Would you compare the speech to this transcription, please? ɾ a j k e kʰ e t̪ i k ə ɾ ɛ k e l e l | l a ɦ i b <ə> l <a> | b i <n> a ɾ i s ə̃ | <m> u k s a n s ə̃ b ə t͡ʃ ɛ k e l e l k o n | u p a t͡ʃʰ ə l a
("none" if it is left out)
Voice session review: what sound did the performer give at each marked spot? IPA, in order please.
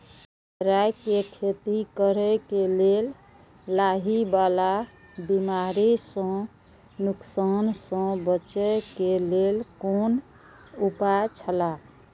a, a, m, n

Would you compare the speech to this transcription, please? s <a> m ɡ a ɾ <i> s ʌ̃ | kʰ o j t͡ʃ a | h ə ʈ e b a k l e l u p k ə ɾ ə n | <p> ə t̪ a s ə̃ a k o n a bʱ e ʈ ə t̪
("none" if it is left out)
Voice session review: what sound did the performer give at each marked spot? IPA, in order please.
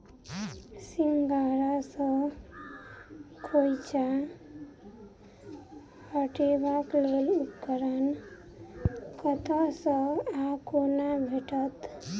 i, a, k

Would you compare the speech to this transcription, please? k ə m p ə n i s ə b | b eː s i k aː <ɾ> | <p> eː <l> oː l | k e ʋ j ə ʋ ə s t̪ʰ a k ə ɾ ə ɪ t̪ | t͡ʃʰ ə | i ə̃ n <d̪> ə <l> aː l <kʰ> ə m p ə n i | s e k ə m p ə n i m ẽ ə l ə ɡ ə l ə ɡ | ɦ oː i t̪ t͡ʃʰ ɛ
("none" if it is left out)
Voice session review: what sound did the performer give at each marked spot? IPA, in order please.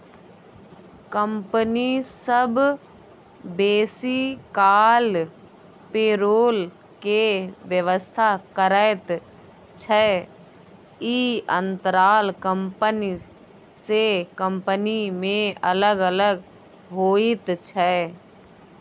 l, p, ɾ, t̪, ɾ, k

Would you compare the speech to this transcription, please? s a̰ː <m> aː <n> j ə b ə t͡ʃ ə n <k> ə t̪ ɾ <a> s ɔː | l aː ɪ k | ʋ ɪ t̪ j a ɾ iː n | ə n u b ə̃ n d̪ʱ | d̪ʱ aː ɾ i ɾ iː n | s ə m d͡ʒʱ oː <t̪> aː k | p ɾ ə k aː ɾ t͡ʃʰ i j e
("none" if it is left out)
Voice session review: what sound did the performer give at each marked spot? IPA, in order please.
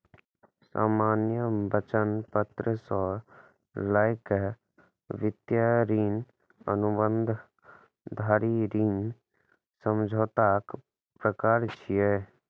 m, n, p, ə, t̪

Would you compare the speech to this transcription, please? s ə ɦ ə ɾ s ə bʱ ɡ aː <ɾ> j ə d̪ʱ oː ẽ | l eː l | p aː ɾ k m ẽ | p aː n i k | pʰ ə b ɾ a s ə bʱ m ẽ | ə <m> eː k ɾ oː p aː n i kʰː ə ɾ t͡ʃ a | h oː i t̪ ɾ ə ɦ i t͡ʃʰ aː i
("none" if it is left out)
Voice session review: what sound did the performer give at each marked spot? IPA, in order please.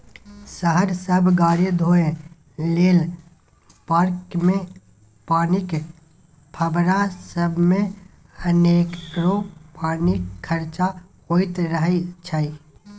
ɾ, n

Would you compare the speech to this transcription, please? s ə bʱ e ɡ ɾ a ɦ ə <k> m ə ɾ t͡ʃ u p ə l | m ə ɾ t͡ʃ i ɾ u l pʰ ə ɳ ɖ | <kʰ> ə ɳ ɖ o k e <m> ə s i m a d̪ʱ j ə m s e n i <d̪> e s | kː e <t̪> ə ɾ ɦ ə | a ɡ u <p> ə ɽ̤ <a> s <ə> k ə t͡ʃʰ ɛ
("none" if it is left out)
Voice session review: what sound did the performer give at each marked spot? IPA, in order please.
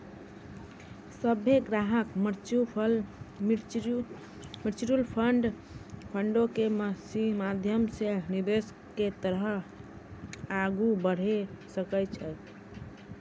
k, pʰ, m, d̪, t̪, b, e, ə

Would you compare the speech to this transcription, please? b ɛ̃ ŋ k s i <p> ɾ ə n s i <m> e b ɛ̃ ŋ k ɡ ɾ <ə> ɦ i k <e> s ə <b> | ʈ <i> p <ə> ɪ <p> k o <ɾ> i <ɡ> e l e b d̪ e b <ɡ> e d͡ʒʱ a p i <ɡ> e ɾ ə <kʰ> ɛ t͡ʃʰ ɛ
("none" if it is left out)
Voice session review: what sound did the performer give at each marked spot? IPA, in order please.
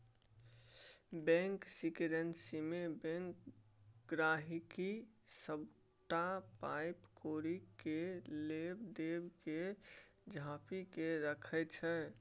k, m, a, i, b, a, a, p, ɾ, k, k, k, kʰ

